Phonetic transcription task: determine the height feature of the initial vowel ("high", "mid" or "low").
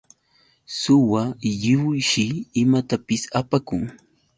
high